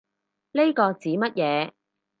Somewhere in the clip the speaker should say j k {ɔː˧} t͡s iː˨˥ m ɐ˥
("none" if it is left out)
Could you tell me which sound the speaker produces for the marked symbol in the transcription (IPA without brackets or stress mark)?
ɔː˧